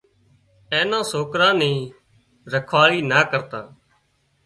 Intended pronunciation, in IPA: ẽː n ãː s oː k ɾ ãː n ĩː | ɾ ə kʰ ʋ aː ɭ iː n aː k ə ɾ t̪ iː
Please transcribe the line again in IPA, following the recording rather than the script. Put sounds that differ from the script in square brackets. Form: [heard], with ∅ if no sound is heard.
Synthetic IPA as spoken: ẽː n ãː s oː k ɾ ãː n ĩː | ɾ ə kʰ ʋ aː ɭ iː n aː k ə ɾ t̪ [aː]